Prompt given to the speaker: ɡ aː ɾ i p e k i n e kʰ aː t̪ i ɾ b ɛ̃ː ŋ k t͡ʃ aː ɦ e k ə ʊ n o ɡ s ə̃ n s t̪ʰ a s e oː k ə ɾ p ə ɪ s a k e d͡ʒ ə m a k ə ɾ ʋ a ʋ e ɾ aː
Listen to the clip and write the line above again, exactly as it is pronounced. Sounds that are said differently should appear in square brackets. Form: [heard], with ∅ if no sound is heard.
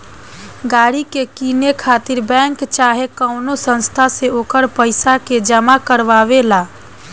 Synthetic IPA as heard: ɡ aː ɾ i [k] e k i n e kʰ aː t̪ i ɾ b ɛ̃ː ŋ k t͡ʃ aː ɦ e k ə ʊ n o [∅] s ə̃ n s t̪ʰ a s e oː k ə ɾ p ə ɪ s a k e d͡ʒ ə m a k ə ɾ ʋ a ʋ e [l] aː

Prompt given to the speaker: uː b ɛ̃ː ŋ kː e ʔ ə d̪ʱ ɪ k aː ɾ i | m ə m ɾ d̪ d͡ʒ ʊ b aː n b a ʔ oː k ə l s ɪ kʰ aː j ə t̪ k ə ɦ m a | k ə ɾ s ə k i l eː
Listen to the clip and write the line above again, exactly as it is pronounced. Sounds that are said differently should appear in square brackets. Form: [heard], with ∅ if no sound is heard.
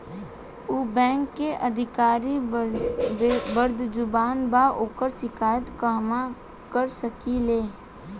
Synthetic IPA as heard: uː b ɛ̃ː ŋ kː e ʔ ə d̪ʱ ɪ k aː ɾ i | [b] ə [∅] ɾ d̪ d͡ʒ ʊ b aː n b a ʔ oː k ə [ɾ] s ɪ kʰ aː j ə t̪ k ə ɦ m a | k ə ɾ s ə k i l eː

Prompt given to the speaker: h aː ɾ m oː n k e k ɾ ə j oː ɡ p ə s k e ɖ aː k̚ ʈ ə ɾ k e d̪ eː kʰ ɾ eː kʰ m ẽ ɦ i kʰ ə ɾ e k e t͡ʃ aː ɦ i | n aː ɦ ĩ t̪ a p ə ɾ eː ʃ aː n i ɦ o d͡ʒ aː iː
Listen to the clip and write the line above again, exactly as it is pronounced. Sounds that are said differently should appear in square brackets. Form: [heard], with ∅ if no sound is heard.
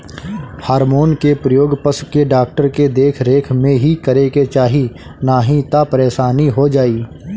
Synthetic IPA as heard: h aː ɾ m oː n k e [p] ɾ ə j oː ɡ p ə s k e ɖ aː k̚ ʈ ə ɾ k e d̪ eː kʰ ɾ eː kʰ m ẽ ɦ i [k] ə ɾ e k e t͡ʃ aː ɦ i | n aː ɦ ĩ t̪ a p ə ɾ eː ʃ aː n i ɦ o d͡ʒ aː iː

